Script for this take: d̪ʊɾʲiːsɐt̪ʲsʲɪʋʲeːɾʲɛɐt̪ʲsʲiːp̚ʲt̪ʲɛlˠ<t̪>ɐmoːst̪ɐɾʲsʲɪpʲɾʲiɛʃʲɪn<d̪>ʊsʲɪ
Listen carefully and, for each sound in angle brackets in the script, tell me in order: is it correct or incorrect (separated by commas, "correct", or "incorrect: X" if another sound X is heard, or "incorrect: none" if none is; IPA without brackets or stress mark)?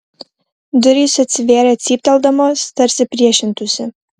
incorrect: d̪, incorrect: t̪